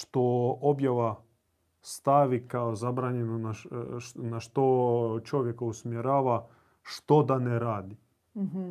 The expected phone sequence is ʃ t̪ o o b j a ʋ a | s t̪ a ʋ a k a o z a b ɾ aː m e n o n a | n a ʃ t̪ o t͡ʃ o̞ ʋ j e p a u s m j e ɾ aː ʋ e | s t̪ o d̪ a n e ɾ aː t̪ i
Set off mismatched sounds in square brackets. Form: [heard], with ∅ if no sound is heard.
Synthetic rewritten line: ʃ t̪ o o b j a ʋ a | s t̪ a ʋ [i] k a o z a b ɾ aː [ɲ] e n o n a | n a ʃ t̪ o t͡ʃ o̞ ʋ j e [k] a u s m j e ɾ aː ʋ [a] | [ʃ] t̪ o d̪ a n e ɾ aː [d̪] i